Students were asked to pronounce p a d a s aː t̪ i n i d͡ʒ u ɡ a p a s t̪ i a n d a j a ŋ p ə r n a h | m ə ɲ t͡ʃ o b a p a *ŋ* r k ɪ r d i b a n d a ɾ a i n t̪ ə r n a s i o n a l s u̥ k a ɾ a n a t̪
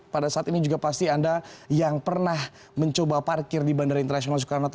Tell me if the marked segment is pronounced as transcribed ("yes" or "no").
no